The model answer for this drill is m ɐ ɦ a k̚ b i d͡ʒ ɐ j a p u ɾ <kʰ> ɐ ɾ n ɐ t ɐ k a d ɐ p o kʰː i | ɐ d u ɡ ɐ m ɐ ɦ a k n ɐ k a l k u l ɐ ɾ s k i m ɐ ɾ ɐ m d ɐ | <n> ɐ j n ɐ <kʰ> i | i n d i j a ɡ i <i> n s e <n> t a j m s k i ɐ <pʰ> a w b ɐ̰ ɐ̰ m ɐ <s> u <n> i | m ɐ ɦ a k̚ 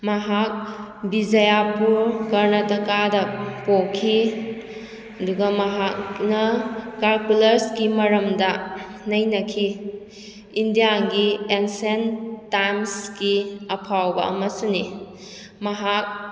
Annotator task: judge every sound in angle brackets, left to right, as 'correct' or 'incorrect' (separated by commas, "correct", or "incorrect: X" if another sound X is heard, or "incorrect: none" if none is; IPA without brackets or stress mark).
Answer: incorrect: k, correct, correct, incorrect: e, correct, correct, correct, correct